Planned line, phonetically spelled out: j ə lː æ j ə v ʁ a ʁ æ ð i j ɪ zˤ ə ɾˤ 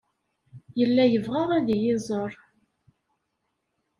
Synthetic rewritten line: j ə lː æ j ə v ʁ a ʁ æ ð i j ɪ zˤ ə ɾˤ